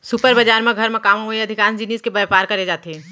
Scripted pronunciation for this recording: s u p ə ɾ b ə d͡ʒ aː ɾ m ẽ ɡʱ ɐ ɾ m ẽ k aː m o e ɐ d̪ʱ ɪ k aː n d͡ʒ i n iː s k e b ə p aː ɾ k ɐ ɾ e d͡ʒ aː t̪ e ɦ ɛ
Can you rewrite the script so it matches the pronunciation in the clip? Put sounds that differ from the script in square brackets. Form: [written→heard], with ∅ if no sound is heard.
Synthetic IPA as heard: s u p ə ɾ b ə d͡ʒ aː ɾ m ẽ ɡʱ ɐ ɾ m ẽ k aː m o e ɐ d̪ʱ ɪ k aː n d͡ʒ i n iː s k e b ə p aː ɾ k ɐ ɾ e d͡ʒ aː t̪ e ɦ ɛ